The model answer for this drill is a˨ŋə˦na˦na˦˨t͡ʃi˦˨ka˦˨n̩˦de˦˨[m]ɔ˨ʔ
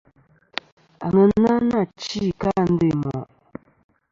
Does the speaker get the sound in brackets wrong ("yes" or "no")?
no